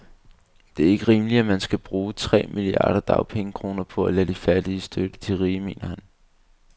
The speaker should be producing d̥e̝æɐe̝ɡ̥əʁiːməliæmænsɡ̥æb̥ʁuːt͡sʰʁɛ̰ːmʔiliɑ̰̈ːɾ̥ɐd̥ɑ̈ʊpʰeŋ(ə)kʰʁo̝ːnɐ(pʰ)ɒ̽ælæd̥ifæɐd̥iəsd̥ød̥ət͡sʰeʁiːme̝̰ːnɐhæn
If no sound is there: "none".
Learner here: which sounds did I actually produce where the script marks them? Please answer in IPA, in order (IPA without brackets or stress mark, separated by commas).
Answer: ə, pʰ